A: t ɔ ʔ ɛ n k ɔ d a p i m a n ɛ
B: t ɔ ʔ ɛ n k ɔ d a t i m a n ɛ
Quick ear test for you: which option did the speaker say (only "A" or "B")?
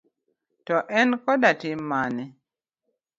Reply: B